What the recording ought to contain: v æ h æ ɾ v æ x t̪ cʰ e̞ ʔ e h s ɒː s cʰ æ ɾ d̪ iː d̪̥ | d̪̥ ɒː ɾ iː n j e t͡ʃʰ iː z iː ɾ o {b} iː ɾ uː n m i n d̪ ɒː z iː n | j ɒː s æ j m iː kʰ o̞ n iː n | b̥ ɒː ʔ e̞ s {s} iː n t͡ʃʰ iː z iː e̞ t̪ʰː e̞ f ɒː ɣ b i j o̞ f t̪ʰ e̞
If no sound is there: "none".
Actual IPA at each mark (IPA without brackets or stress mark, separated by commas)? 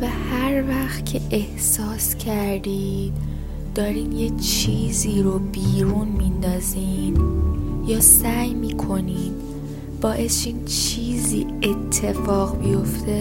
b, ʃ